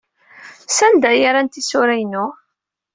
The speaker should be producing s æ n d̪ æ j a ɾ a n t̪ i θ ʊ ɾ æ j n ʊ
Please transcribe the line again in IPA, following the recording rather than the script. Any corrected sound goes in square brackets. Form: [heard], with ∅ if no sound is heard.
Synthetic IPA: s æ n d̪ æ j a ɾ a n t̪ i [s] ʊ ɾ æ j n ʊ